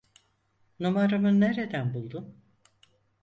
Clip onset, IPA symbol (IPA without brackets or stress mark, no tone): n